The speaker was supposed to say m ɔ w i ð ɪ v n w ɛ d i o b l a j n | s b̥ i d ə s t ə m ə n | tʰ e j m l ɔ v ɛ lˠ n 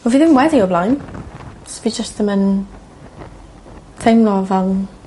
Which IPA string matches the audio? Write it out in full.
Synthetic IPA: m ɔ v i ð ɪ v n w ɛ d i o b l a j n | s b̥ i d͡ʒ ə s t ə m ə n | tʰ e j m l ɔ v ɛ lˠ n